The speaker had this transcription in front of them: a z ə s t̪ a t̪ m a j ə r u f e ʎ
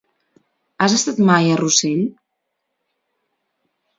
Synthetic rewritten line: a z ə s t̪ a t̪ m a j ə r u s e ʎ